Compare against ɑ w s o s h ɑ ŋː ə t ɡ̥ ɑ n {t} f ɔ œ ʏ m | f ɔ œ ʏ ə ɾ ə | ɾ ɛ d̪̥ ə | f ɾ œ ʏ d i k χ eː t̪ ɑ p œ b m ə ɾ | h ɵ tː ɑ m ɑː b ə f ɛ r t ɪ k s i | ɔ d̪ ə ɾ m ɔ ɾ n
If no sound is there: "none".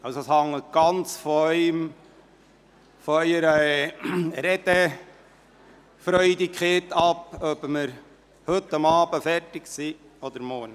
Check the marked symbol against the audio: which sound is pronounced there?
t͡s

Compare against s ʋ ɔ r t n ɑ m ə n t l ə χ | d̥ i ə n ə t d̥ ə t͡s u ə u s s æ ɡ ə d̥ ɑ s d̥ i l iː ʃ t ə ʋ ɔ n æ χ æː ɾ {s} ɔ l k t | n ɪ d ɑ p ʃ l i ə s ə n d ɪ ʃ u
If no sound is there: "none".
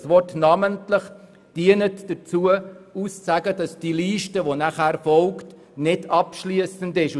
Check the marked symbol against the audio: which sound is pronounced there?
f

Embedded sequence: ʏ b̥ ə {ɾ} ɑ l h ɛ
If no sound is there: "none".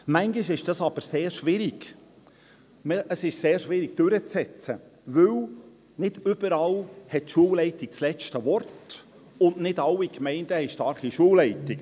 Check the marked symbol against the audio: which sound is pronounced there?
ɾ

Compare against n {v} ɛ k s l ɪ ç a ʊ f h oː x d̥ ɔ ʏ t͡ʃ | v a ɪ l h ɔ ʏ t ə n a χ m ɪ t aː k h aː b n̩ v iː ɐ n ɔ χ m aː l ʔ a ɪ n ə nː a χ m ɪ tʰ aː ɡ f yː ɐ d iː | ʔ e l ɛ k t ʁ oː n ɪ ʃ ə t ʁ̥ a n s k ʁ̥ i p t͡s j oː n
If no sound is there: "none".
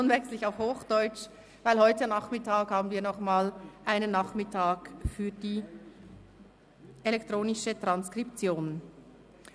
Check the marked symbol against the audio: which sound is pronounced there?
v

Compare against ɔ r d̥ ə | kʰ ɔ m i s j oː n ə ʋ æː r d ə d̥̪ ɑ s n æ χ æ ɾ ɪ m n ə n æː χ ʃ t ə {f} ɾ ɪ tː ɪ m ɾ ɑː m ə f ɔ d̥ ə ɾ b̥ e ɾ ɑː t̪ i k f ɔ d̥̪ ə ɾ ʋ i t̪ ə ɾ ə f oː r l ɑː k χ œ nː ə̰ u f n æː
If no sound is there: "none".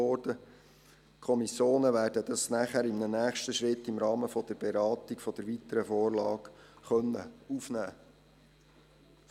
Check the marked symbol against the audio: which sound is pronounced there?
ʃ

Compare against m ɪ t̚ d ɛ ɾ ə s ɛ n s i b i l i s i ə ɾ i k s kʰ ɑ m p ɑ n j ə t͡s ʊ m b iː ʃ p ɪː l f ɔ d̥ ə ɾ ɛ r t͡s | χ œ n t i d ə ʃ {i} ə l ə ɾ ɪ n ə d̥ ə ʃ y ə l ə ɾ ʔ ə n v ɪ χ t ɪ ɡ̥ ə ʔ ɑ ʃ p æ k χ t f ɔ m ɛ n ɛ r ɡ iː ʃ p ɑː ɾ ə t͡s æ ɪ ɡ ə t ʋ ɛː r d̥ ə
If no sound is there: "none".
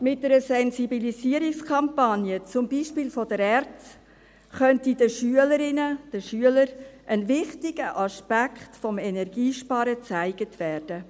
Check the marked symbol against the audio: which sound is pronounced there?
y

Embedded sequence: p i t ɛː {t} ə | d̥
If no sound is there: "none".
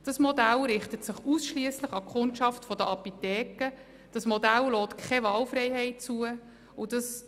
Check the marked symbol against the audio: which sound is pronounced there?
k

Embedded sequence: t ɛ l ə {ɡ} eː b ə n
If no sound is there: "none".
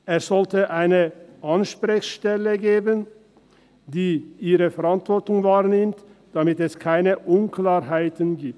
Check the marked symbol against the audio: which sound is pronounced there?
ɡ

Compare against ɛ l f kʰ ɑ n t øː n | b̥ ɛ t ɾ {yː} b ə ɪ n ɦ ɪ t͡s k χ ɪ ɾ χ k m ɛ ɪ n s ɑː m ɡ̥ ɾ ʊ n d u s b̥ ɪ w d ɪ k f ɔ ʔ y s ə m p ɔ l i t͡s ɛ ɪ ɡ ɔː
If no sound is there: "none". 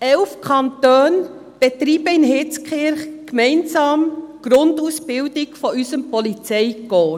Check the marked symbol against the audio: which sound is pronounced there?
iː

